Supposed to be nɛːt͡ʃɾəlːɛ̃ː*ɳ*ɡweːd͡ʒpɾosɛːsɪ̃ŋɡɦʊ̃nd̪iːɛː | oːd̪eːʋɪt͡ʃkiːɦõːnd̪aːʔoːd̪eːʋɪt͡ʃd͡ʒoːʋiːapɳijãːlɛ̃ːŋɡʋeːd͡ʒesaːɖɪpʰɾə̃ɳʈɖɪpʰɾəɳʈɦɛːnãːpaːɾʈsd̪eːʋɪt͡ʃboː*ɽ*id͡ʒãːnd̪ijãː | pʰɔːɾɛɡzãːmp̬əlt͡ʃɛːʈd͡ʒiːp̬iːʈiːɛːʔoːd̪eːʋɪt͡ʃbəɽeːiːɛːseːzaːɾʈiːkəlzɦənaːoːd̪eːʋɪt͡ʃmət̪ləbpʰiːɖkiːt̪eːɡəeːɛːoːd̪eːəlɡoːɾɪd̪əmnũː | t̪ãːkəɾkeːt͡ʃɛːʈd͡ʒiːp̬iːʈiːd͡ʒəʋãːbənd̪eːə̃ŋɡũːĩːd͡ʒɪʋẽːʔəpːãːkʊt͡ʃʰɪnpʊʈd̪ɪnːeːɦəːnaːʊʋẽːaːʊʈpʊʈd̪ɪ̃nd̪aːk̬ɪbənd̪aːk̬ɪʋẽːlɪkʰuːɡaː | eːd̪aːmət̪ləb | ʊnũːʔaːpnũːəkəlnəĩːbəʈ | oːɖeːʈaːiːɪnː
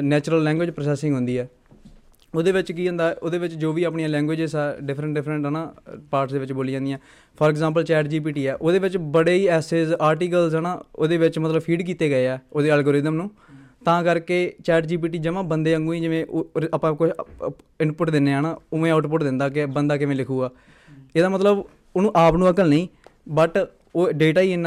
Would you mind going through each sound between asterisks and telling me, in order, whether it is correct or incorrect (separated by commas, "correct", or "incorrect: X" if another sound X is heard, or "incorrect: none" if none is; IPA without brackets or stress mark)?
incorrect: ŋ, incorrect: l